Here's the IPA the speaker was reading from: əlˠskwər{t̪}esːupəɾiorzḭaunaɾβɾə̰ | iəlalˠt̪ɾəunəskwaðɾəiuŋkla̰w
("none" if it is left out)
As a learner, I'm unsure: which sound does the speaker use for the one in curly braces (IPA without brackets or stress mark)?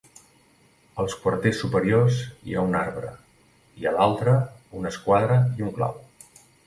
t̪